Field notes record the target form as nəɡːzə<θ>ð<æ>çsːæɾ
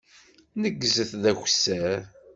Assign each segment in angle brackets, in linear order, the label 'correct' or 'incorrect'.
correct, correct

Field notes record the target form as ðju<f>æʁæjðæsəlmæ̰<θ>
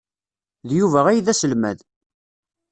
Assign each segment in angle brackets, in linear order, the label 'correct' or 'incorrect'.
incorrect: v, incorrect: ð

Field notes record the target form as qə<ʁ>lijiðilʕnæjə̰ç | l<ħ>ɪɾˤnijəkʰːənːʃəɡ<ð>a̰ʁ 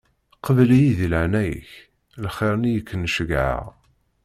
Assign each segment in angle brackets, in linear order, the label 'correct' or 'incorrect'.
incorrect: v, incorrect: χ, incorrect: ʕ

